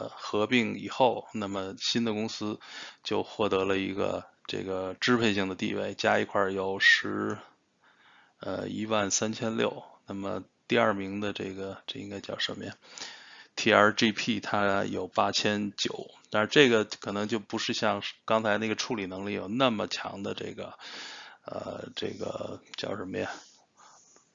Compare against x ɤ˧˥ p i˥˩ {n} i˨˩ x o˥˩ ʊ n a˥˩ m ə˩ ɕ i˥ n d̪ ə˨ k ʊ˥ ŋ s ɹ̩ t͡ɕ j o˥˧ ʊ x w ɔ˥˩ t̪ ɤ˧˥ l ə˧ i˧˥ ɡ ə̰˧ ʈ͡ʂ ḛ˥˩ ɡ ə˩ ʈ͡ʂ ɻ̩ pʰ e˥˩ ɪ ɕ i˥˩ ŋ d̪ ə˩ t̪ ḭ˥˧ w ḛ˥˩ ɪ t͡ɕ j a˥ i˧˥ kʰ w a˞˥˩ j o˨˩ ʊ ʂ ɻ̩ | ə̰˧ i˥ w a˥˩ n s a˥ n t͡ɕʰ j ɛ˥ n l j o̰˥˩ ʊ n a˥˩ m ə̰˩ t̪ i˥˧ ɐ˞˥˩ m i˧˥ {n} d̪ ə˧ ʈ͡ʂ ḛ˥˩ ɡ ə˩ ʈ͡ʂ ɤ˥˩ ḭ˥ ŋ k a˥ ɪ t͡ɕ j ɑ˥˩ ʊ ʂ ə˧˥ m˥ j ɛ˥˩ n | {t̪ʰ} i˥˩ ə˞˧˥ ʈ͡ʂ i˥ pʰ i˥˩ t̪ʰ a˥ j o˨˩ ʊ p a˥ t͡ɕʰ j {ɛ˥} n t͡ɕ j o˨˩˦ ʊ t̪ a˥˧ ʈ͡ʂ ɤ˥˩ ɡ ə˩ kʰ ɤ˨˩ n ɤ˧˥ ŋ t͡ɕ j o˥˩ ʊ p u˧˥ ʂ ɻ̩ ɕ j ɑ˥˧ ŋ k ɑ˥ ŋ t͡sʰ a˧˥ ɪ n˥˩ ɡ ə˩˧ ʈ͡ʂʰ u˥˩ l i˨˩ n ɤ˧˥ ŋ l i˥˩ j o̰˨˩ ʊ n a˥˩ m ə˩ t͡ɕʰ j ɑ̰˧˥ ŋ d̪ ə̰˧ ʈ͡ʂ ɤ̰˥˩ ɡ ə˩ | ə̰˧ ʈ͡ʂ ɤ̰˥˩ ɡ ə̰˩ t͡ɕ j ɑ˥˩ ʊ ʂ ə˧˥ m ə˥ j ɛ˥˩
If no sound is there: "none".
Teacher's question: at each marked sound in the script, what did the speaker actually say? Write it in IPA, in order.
ŋ, ŋ, t̪ʰ, ɛ˥

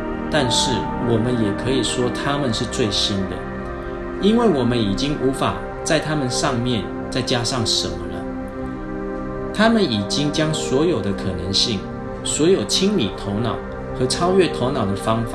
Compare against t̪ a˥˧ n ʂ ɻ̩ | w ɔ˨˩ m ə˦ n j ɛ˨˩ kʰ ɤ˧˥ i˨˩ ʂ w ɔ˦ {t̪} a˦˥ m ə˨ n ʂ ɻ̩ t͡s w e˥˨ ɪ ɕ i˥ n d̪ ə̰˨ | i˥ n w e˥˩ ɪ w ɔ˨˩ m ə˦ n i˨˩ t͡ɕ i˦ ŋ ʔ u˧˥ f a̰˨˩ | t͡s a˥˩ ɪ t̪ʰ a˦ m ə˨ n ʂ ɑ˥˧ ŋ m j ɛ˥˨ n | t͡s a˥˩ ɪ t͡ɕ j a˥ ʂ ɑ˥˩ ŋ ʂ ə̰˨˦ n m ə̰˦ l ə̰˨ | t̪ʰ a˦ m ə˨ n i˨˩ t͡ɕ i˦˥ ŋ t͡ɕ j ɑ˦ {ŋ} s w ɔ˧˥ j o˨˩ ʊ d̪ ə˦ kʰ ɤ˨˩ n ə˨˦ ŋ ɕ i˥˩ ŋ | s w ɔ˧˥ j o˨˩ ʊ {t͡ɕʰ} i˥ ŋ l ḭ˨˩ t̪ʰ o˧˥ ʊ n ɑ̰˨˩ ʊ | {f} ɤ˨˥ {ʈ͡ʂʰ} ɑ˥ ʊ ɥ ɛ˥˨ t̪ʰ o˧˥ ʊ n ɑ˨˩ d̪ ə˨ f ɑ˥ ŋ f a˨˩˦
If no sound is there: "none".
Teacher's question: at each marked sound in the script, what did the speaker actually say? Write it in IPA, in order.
t̪ʰ, ŋ, t͡ɕʰ, x, ʈ͡ʂʰ

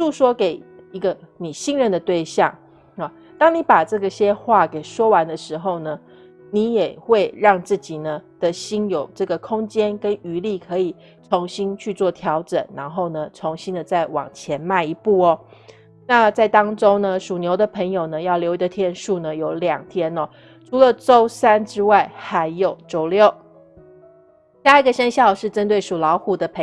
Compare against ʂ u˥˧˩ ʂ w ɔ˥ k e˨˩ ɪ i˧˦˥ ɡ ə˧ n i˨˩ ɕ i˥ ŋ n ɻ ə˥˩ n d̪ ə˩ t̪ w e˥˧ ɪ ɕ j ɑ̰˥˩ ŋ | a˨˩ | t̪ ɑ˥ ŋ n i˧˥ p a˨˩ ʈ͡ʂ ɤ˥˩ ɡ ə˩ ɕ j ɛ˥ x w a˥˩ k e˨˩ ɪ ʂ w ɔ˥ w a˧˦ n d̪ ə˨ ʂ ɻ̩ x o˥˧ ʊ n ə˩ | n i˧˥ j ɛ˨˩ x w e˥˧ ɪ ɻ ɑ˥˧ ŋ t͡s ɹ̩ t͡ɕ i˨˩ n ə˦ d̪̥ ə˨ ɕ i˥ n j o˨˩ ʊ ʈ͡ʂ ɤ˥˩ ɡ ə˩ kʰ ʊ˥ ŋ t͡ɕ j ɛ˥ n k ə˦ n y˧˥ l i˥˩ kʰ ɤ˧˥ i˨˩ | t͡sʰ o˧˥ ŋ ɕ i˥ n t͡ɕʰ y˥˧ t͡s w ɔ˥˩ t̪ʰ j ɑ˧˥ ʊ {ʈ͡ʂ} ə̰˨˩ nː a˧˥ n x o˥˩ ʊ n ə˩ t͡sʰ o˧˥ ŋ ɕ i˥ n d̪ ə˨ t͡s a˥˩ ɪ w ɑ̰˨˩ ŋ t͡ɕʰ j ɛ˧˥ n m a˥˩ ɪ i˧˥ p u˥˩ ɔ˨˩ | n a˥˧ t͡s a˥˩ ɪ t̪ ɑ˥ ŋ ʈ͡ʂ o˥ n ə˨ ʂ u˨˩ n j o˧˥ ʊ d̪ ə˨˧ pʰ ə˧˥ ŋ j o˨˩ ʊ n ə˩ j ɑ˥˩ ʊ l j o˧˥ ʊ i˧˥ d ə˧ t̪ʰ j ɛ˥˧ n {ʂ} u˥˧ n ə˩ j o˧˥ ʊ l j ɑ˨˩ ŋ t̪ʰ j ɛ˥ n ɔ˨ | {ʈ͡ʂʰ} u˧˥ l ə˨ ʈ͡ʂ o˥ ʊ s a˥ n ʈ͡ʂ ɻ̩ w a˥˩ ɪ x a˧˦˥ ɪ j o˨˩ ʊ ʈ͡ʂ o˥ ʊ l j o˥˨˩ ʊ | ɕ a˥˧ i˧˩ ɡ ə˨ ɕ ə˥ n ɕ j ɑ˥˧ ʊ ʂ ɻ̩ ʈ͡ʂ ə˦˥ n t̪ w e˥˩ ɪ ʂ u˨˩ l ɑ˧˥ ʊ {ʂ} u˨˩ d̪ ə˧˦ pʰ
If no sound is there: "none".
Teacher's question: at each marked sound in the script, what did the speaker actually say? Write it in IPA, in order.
ʈ͡ʂ, ʂ, ʈ͡ʂʰ, x

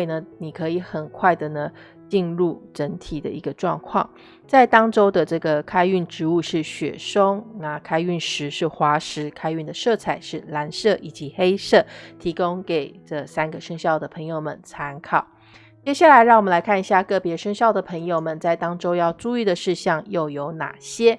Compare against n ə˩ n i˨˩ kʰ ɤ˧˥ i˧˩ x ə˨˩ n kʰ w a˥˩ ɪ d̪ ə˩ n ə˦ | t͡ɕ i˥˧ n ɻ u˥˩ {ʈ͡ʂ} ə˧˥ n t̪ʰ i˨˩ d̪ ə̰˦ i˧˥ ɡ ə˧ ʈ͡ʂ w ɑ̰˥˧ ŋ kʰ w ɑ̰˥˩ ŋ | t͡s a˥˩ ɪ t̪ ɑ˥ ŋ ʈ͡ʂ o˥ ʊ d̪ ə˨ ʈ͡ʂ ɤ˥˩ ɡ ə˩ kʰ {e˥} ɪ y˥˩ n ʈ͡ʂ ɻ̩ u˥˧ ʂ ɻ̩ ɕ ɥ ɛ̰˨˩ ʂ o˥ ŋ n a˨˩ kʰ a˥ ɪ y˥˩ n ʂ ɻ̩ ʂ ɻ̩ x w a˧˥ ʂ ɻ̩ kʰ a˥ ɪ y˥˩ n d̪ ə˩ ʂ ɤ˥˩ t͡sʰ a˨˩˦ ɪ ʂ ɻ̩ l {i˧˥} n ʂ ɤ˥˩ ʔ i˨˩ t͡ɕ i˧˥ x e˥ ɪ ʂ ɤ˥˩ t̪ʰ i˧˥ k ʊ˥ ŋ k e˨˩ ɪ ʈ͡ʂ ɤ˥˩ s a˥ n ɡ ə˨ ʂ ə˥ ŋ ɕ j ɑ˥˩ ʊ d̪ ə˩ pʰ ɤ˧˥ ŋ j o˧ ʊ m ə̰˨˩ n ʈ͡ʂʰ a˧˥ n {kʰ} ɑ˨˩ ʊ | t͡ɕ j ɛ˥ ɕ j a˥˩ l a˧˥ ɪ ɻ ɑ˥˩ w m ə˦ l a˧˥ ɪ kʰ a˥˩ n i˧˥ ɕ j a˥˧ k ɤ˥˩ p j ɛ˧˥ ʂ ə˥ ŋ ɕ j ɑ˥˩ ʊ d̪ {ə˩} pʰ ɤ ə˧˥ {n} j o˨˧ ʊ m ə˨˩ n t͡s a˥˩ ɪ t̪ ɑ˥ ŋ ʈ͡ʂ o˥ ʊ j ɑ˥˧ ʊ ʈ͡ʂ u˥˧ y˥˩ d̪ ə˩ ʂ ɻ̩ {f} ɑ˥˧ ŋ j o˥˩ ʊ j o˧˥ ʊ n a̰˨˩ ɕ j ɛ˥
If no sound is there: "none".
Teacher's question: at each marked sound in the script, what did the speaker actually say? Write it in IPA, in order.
ʈ͡ʂ, a˥, a˧˥, kʰ, ə˩, ŋ, ɕ

